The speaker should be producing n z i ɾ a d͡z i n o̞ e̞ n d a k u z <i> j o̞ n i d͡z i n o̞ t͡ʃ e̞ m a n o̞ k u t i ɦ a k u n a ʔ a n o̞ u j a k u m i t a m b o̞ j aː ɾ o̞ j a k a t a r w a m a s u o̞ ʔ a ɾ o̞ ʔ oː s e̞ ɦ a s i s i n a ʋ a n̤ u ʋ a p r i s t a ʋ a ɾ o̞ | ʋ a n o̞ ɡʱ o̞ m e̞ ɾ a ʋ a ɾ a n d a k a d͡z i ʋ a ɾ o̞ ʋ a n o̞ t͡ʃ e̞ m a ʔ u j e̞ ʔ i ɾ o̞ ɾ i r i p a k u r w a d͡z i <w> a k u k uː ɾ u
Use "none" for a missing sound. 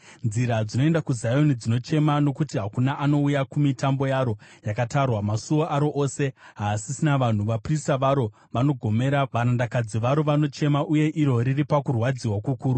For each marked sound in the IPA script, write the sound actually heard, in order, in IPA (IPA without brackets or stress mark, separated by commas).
a, w